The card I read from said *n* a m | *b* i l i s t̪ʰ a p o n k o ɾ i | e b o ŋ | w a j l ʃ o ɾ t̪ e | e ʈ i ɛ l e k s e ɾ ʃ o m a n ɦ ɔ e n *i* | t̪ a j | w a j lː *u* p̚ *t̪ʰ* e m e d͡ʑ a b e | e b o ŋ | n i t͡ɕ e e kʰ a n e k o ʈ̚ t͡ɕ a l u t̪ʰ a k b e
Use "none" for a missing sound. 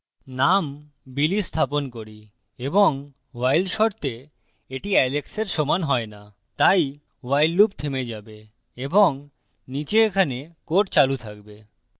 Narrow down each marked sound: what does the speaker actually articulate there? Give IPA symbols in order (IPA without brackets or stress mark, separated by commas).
n, b, a, u, t̪ʰ